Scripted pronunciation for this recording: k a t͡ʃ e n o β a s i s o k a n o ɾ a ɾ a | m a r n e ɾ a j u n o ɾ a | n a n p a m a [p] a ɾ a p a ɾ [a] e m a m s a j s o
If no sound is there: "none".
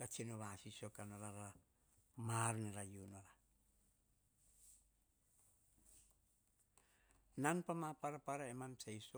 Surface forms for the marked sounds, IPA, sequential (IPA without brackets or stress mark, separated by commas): p, a